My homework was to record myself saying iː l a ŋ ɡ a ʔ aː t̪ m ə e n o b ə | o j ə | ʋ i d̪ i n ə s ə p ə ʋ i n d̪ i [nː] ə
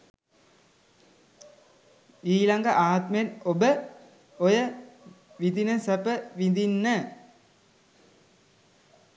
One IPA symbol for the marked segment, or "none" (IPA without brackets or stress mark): nː